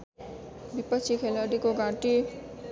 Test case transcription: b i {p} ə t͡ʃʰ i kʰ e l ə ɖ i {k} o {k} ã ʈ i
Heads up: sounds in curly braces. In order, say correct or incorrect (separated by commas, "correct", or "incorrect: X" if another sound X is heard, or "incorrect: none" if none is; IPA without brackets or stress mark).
correct, correct, incorrect: ɡ